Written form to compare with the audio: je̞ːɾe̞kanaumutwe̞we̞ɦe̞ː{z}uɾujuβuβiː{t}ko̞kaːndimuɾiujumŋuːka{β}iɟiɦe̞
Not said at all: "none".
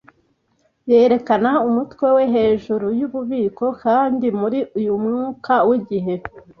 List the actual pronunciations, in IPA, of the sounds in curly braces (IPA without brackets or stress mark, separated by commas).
ʒ, none, w